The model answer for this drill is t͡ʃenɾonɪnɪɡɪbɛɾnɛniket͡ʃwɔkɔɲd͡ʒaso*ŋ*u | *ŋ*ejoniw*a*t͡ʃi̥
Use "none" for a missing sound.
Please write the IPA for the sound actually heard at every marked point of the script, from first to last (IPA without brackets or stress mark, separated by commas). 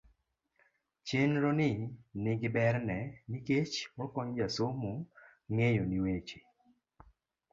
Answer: m, ŋ, e